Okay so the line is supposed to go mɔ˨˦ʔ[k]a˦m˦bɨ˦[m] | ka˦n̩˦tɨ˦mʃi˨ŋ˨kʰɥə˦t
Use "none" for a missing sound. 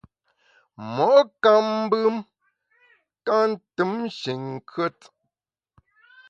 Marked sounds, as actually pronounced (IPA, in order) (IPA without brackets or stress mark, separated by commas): k, m